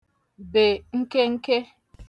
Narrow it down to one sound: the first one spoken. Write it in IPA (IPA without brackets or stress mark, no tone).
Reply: b